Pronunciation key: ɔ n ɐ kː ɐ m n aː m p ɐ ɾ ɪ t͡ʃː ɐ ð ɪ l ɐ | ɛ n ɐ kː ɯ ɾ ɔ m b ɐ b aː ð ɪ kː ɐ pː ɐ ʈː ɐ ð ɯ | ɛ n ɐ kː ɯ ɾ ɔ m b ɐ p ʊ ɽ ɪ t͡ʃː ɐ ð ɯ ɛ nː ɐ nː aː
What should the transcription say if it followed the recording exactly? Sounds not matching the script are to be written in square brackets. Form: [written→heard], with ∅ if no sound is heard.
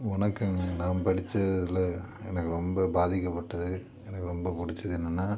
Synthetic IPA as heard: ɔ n ɐ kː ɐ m n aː m p ɐ [ɾ→ɽ] ɪ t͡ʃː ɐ ð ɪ l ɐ | ɛ n ɐ kː ɯ ɾ ɔ m b ɐ b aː ð ɪ kː ɐ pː ɐ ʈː ɐ ð ɯ | ɛ n ɐ kː ɯ ɾ ɔ m b ɐ p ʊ ɽ ɪ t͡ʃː ɐ ð ɯ ɛ nː ɐ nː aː